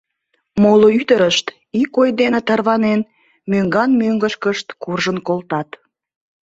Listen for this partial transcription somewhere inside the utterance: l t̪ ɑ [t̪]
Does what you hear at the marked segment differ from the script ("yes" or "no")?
no